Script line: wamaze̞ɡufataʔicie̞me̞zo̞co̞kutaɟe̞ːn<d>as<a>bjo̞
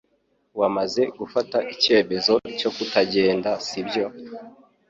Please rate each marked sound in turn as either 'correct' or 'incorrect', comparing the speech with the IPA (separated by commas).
correct, incorrect